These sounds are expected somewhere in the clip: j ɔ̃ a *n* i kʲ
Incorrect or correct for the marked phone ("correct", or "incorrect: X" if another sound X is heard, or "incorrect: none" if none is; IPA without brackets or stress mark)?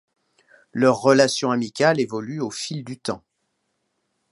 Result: incorrect: m